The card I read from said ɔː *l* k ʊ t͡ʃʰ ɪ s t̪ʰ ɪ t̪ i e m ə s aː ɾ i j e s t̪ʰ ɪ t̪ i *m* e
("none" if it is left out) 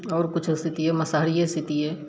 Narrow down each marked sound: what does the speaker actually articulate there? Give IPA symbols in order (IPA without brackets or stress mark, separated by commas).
ɾ, none